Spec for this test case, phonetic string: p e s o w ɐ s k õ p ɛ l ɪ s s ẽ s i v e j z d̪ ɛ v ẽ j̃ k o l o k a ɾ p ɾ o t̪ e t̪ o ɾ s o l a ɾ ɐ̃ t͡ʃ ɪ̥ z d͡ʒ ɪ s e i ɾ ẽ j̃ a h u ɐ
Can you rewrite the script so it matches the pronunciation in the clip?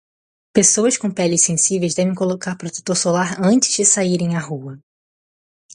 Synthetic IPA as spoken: p e s o w ɐ s k õ p ɛ l ɪ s s ẽ s i v e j z d̪ ɛ v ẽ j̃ k o l o k a ɾ p ɾ o t̪ e t̪ o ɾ s o l a ɾ ɐ̃ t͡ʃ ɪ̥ z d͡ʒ ɪ s a i ɾ ẽ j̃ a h u ɐ